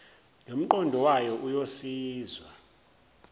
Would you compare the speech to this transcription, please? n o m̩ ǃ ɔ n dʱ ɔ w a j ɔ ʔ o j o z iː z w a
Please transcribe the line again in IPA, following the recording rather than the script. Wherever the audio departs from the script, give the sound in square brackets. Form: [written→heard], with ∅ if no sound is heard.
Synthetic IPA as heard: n o m̩ ǃ ɔ n dʱ ɔ w a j ɔ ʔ [o→u] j o [z→s] iː z w a

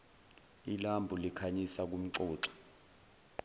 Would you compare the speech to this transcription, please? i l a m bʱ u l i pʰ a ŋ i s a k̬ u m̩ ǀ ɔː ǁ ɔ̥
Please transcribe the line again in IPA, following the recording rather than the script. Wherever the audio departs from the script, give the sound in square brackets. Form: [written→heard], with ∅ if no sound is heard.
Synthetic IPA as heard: i l a m bʱ u l i [pʰ→kʰ] a [ŋ→ɲ] i s a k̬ u m̩ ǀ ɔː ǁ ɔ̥

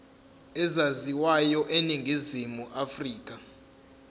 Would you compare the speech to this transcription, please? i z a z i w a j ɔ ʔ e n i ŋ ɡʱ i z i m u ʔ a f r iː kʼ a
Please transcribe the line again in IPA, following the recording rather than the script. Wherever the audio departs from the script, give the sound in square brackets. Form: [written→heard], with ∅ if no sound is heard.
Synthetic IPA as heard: [i→ɛ] z a z i w a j ɔ ʔ e n i ŋ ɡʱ i z i m u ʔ a f r iː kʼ a

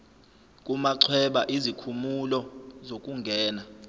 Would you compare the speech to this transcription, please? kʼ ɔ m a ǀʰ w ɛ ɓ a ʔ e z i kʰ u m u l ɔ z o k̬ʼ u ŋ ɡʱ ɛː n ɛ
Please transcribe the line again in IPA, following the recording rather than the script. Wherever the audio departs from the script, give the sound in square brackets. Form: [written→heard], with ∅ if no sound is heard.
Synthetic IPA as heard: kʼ [ɔ→u] m a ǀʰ w ɛ ɓ a ʔ [e→i] z i kʰ u m u l ɔ z o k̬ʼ u ŋ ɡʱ ɛː n [ɛ→a]

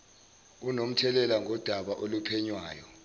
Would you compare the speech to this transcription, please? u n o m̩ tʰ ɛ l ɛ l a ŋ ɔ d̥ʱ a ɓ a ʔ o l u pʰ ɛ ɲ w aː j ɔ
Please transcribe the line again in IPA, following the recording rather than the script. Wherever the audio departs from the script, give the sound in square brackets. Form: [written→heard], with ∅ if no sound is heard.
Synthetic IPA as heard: u n o m̩ tʰ ɛ l ɛ l a ŋ ɔ d̥ʱ a ɓ a ʔ o l u pʰ ɛ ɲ w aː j ɔ

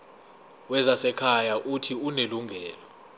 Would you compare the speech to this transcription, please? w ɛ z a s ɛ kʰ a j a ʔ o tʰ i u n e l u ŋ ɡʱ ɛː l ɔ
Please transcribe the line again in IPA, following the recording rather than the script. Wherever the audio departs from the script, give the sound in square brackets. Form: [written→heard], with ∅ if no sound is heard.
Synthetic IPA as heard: w ɛ z a s ɛ kʰ a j a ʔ [o→u] tʰ i u n e l u ŋ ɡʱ ɛː l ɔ

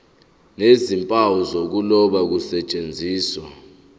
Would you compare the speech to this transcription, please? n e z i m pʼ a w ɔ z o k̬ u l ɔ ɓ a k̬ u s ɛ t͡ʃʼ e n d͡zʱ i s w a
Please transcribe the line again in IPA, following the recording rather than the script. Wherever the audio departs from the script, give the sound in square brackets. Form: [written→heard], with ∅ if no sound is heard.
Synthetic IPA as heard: n e z i m pʼ a w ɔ z o k̬ u l ɔ ɓ a k̬ u s ɛ t͡ʃʼ e n d͡zʱ [i→iː] s w a

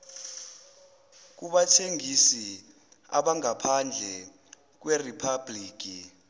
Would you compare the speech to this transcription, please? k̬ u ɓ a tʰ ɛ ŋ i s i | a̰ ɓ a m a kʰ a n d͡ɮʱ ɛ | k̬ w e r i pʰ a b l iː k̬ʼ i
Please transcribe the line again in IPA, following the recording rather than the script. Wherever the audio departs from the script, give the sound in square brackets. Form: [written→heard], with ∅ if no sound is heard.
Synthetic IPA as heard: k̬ u ɓ a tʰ [ɛ→e] ŋ i s i | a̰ ɓ a [m→ŋ] a [kʰ→pʰ] a n d͡ɮʱ ɛ | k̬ w e r i pʰ a b l iː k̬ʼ i

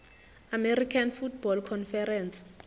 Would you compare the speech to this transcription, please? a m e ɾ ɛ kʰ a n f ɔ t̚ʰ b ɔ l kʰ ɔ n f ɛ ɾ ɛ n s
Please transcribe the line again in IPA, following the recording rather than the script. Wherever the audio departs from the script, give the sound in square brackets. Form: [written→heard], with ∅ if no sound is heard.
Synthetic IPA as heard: a m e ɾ [ɛ→i] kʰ a n f [ɔ→u] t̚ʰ b ɔ l kʰ ɔ n f ɛ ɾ ɛ n s

